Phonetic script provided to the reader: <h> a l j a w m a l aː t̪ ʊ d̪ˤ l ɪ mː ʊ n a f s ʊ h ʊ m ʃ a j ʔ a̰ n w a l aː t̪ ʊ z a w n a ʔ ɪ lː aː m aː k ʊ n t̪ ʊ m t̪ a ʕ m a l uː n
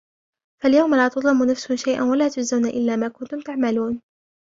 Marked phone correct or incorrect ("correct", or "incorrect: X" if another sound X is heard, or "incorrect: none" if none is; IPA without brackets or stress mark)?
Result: incorrect: f